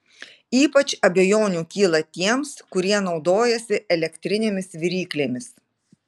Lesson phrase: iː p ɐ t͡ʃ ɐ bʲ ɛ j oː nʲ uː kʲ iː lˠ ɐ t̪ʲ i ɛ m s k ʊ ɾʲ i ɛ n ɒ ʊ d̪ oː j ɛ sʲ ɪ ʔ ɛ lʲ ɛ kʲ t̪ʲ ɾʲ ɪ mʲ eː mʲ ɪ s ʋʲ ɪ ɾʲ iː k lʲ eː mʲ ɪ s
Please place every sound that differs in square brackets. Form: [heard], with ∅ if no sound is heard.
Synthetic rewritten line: iː p ɐ t͡ʃ ɐ bʲ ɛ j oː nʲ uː kʲ iː lˠ ɐ t̪ʲ i ɛ m s k ʊ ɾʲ i ɛ n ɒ ʊ d̪ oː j ɛ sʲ ɪ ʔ ɛ lʲ ɛ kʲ t̪ʲ ɾʲ ɪ [nʲ] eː mʲ ɪ s ʋʲ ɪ ɾʲ iː k lʲ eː mʲ ɪ s

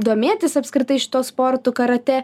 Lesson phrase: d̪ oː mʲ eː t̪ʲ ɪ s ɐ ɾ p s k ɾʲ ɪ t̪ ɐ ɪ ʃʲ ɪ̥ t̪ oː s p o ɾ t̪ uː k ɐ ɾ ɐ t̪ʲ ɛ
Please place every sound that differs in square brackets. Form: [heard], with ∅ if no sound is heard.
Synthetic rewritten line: d̪ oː mʲ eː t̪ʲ ɪ s ɐ [∅] p s k ɾʲ ɪ t̪ ɐ ɪ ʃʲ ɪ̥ t̪ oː s p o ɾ t̪ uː k ɐ ɾ ɐ t̪ʲ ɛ

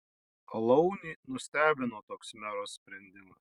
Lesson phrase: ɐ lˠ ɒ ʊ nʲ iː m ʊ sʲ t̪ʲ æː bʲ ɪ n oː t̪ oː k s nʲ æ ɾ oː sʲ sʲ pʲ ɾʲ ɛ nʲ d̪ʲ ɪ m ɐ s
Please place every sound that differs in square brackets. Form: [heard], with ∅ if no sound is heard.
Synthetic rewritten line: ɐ lˠ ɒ ʊ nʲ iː [n] ʊ sʲ t̪ʲ æː bʲ ɪ n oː t̪ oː k s [mʲ] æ ɾ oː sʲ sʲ pʲ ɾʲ ɛ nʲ d̪ʲ ɪ m ɐ s

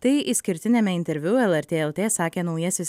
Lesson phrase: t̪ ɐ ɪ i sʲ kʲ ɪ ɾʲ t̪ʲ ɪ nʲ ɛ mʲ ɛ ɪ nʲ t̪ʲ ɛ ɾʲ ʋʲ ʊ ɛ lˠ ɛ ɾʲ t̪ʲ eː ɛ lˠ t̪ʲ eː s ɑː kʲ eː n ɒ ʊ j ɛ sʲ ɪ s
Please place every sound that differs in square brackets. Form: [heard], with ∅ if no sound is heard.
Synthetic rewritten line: t̪ ɐ ɪ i sʲ kʲ ɪ ɾʲ t̪ʲ ɪ nʲ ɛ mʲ ɛ ɪ nʲ t̪ʲ ɛ ɾʲ ʋʲ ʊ ɛ lˠ ɛ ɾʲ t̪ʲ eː ɛ lˠ t̪ʲ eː s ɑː kʲ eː n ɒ ʊ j ɛ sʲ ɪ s

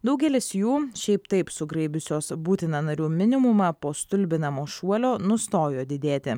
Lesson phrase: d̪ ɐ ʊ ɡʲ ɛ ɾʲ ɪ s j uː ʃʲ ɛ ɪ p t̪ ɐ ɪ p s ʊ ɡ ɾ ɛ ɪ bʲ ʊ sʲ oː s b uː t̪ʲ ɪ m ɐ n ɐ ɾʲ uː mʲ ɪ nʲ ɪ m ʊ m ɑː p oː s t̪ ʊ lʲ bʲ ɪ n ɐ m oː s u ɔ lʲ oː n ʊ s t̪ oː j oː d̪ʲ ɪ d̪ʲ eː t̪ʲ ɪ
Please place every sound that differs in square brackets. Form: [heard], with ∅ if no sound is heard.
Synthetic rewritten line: d̪ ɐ ʊ ɡʲ ɛ [lʲ] ɪ s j uː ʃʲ ɛ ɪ p t̪ ɐ ɪ p s ʊ ɡ ɾ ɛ ɪ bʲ ʊ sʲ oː s b uː t̪ʲ ɪ [n] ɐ n ɐ ɾʲ uː mʲ ɪ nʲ ɪ m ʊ m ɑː p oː s t̪ ʊ lʲ bʲ ɪ n ɐ m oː [ʃ] u ɔ lʲ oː n ʊ s t̪ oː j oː d̪ʲ ɪ d̪ʲ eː t̪ʲ ɪ

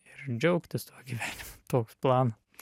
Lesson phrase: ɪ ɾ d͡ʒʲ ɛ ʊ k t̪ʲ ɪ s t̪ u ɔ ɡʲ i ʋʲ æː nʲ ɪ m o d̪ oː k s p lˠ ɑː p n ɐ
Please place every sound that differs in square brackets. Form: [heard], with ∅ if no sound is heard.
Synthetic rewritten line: ɪ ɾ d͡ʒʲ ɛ ʊ k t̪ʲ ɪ s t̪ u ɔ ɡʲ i ʋʲ æː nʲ ɪ m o [t̪] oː k s p lˠ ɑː [∅] n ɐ

